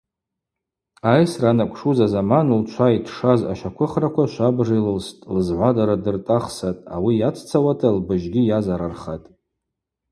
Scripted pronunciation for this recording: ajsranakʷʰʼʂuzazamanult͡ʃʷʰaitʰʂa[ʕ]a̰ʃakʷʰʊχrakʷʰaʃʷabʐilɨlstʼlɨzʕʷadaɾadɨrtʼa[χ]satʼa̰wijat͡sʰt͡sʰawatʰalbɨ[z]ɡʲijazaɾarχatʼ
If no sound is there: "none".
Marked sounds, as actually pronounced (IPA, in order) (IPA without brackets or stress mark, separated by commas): z, χ, ʒ